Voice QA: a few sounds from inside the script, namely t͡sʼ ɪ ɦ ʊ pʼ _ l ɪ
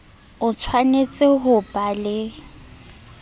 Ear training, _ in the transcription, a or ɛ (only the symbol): a